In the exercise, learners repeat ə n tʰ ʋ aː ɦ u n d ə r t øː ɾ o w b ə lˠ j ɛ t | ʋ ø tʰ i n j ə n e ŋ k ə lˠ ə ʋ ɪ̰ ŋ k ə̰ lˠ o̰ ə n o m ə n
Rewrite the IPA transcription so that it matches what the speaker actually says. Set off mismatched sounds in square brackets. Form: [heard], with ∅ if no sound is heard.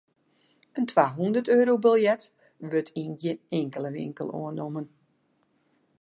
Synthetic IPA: ə n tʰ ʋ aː ɦ u n d ə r t øː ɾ o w b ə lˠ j ɛ t | ʋ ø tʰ i n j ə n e ŋ k ə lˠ ə ʋ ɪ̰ ŋ k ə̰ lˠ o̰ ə n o m ə n